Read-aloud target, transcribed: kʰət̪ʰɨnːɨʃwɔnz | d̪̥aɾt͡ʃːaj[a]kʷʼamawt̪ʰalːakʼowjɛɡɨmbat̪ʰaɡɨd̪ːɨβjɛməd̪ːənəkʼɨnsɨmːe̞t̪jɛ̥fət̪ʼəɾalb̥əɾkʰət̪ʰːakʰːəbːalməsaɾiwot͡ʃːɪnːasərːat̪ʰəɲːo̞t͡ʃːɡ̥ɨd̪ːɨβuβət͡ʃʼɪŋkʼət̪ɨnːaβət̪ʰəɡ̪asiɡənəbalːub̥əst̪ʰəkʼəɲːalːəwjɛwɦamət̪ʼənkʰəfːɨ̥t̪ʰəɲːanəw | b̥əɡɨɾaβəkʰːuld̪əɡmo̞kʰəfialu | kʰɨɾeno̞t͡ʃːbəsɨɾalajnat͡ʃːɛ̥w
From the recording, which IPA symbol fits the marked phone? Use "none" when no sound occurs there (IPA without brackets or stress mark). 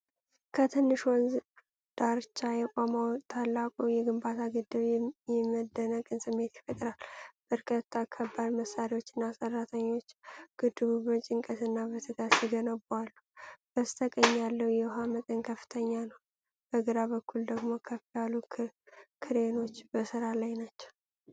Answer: ɛ